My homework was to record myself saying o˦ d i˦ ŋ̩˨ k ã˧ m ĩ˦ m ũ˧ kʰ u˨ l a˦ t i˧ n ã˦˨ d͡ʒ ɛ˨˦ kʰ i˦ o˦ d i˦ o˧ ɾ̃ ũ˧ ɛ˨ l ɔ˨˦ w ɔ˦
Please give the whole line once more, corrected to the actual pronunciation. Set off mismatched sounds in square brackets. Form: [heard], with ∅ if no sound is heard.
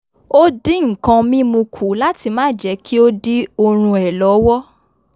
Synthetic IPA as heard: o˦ d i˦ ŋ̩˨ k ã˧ m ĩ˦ m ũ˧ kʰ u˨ l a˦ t i˧ [m] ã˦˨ d͡ʒ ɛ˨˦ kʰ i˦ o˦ d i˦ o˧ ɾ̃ ũ˧ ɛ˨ l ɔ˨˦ w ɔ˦